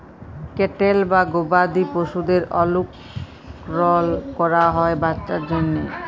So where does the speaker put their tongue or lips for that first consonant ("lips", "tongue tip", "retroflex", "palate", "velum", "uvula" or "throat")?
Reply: velum